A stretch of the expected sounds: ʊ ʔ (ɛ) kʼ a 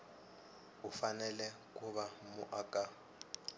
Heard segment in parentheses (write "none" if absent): a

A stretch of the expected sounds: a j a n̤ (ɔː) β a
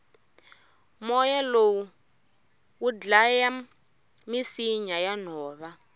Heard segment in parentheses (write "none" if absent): ɔː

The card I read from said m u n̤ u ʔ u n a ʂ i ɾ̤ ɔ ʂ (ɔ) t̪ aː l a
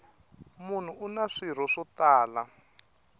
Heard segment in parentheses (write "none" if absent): ɔ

